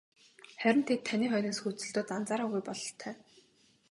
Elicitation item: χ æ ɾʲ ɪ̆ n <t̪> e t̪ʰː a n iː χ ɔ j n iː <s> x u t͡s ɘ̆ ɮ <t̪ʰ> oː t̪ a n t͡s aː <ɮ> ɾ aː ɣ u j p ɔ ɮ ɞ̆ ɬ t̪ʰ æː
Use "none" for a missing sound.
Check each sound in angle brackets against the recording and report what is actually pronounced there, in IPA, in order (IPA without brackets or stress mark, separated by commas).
t̪ʰ, s, t̪, none